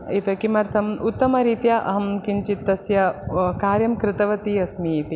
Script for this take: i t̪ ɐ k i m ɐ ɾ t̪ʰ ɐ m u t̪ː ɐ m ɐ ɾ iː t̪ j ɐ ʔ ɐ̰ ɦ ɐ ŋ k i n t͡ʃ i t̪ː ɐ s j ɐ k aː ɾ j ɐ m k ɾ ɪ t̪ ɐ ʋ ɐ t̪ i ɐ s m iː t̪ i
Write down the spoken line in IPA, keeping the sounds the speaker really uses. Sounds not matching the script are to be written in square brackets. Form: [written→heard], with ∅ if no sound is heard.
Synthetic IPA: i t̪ ɐ k i m ɐ ɾ t̪ʰ ɐ m u t̪ː ɐ m ɐ ɾ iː t̪ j ɐ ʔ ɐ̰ ɦ ɐ [ŋ→m] k i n t͡ʃ i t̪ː ɐ s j ɐ k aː ɾ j ɐ m k ɾ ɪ t̪ ɐ ʋ ɐ t̪ i ɐ s m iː t̪ i